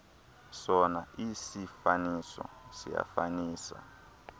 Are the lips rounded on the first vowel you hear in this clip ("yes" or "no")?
yes